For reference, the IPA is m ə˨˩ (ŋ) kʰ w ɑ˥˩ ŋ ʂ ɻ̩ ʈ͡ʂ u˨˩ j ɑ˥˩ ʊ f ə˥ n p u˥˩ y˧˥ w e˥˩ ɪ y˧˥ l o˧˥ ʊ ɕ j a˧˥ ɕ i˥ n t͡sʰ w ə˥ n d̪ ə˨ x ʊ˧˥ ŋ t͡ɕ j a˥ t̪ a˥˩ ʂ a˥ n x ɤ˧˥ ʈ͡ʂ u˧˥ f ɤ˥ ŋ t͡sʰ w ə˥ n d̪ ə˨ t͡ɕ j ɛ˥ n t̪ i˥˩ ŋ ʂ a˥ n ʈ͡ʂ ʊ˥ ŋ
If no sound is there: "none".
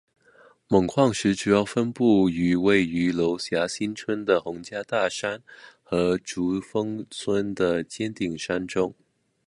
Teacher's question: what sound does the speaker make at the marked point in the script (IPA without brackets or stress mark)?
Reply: ŋ